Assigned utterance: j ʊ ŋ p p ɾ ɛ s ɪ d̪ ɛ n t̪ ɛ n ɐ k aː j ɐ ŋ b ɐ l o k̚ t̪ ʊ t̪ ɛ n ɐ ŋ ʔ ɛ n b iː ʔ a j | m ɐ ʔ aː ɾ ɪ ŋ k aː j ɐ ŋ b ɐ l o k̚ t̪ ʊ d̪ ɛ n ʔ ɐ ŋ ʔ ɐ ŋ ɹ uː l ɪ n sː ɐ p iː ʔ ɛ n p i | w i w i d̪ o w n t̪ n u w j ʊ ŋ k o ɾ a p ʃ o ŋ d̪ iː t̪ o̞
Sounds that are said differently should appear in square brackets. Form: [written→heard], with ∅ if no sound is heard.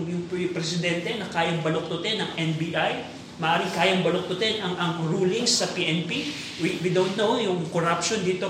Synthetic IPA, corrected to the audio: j ʊ ŋ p p ɾ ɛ s ɪ d̪ ɛ n t̪ ɛ n ɐ k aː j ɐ ŋ b ɐ l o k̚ t̪ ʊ t̪ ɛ n ɐ ŋ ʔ ɛ n b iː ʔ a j | m ɐ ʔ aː ɾ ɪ ŋ k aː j ɐ ŋ b ɐ l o k̚ t̪ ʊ [d̪→t̪] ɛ n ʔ ɐ ŋ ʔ ɐ ŋ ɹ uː l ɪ [n→ŋ] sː ɐ p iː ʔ ɛ n p i | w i w i d̪ o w n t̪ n [u→o] w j ʊ ŋ k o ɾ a p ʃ o [ŋ→n] d̪ iː t̪ o̞